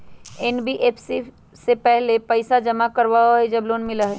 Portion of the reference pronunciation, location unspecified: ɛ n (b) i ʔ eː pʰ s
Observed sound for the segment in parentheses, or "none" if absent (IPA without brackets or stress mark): b